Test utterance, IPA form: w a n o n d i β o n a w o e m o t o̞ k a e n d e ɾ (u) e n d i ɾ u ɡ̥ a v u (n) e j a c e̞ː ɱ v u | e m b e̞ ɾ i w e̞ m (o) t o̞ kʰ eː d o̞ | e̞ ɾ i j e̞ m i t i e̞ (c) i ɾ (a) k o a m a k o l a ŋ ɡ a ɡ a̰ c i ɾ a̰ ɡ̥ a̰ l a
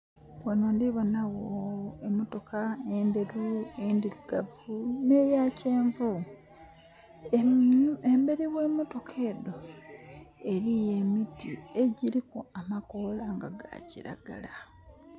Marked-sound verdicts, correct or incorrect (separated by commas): correct, correct, correct, incorrect, incorrect